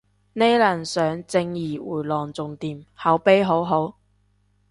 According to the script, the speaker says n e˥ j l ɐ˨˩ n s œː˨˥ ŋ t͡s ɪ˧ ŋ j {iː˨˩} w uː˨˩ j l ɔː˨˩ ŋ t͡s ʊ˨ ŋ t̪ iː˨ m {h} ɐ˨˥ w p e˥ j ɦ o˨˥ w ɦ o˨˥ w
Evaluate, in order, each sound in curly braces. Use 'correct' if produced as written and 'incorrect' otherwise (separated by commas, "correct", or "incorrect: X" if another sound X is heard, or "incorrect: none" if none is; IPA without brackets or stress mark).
correct, correct